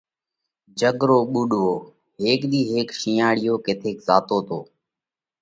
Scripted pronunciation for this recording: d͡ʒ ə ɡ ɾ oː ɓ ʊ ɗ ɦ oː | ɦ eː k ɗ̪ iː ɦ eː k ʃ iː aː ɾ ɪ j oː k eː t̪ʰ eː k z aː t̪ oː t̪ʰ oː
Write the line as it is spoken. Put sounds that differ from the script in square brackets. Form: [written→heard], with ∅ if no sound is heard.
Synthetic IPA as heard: d͡ʒ ə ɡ ɾ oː ɓ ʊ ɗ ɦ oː | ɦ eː k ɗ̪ iː ɦ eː k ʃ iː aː [ɾ→ɽ] ɪ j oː k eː t̪ʰ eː k z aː t̪ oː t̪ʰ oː